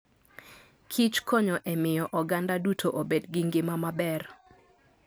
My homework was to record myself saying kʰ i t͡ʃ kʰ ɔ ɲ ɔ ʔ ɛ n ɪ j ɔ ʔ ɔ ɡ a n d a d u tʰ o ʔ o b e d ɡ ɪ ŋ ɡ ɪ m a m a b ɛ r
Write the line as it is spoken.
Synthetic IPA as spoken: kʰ i t͡ʃ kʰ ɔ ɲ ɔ ʔ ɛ m ɪ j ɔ ʔ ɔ ɡ a n d a d u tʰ o ʔ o b e d ɡ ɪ ŋ ɡ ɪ m a m a b ɛ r